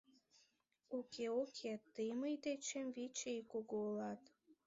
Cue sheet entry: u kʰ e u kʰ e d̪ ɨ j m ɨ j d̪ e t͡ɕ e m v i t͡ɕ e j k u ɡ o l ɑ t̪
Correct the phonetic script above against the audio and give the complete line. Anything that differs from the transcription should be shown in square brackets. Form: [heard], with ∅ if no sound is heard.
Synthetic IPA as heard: u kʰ e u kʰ e [t̪] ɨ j m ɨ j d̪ e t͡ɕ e m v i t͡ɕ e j k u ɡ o l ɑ t̪